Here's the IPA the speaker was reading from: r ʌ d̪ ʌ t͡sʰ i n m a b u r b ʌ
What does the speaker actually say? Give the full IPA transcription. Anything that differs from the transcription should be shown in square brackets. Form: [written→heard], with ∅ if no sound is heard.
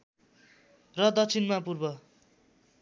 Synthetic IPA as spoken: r ʌ d̪ ʌ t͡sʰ i n m a [b→p] u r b ʌ